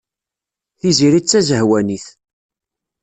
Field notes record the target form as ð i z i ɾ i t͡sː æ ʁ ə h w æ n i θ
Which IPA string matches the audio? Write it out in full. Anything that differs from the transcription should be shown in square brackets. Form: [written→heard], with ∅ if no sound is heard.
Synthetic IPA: [ð→θ] i z i ɾ i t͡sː æ [ʁ→z] ə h w æ n i θ